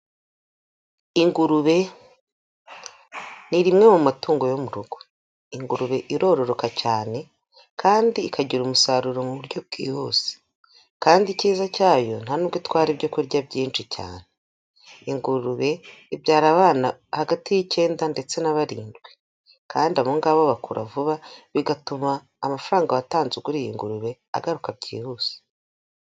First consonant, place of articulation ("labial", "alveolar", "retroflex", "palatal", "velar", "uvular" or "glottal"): velar